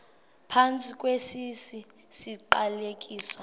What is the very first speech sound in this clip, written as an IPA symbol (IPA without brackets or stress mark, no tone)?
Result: pʰ